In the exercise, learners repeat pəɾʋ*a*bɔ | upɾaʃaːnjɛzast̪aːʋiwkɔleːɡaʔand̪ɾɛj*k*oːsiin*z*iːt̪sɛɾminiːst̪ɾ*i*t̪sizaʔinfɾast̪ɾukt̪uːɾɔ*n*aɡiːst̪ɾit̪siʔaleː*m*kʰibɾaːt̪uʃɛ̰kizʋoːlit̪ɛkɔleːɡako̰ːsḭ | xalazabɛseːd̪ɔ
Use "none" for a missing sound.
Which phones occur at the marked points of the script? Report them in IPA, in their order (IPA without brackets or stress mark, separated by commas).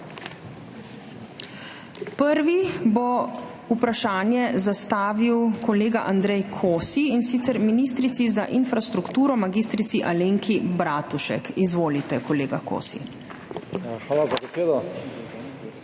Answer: i, kʰ, s, i, m, ŋ